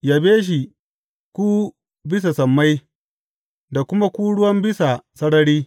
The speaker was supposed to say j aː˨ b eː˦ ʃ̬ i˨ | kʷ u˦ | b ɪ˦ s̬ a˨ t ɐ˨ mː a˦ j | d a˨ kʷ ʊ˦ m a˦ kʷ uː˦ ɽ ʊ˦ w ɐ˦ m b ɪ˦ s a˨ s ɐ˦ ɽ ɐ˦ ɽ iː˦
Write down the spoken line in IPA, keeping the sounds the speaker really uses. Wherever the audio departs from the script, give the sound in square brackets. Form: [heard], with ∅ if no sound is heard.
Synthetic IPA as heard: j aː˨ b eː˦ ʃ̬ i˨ | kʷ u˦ | b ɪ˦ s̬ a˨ [s] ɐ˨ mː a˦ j | d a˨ kʷ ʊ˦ m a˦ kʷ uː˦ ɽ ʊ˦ w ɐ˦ m b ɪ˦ s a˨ s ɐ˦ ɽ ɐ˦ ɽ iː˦